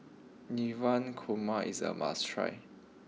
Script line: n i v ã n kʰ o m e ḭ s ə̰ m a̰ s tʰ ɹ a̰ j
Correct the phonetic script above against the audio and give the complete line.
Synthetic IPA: n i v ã n kʰ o m a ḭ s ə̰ m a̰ s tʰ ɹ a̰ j